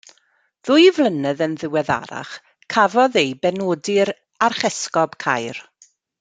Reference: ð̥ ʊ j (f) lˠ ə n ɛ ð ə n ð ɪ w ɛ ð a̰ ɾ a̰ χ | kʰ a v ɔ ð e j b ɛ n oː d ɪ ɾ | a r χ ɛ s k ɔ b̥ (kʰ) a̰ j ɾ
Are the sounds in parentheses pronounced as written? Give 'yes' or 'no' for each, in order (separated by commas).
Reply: no, yes